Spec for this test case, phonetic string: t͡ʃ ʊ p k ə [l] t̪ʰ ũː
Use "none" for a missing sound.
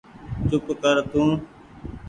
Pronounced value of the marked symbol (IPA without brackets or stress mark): ɾ